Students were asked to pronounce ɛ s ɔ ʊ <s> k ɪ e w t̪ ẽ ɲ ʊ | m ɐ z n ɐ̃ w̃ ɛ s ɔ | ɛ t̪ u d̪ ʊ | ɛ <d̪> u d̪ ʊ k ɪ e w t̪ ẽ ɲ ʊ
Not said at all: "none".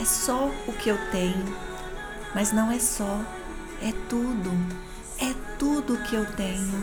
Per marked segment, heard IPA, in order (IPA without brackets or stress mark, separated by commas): none, t̪